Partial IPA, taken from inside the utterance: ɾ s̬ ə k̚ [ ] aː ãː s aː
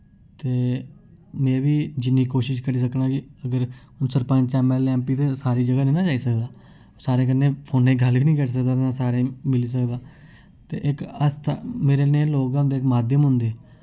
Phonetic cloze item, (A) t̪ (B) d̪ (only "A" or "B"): B